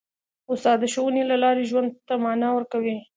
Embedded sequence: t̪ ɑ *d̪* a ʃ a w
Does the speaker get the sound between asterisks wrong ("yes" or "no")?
no